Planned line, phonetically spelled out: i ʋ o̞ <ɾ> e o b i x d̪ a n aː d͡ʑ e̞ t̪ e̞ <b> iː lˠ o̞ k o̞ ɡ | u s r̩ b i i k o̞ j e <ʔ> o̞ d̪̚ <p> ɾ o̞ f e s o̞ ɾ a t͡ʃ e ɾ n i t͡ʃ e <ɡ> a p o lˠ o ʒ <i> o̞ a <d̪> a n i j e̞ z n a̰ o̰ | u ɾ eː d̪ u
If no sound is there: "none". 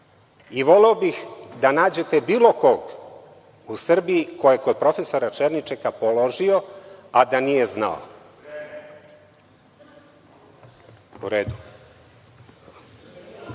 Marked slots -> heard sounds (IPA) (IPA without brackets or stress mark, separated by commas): l, b, k, p, k, i, d̪